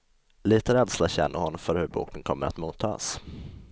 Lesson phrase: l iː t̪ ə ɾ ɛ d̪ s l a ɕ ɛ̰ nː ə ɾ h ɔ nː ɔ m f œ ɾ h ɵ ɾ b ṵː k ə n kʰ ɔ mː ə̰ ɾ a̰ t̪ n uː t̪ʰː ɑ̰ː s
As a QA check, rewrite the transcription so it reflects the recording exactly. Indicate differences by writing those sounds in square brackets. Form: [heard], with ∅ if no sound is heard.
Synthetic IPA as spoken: l iː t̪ ə ɾ ɛ d̪ s l a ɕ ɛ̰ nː ə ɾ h ɔ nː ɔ m f œ ɾ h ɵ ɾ b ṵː k ə n kʰ ɔ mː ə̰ ɾ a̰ t̪ [m] uː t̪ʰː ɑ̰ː s